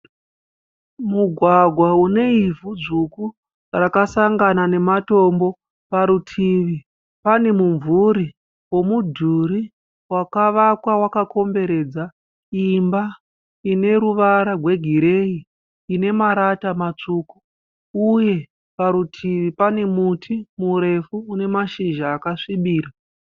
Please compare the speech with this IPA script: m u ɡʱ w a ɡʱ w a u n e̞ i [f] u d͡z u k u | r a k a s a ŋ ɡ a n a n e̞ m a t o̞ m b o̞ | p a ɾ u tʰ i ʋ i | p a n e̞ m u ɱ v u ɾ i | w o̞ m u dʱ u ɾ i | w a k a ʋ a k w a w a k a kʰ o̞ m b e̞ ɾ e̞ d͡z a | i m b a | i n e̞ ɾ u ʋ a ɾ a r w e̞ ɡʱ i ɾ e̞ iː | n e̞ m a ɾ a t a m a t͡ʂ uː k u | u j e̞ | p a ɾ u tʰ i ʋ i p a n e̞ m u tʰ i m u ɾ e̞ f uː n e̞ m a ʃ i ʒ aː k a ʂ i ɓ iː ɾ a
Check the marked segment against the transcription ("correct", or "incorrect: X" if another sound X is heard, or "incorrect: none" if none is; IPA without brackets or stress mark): incorrect: v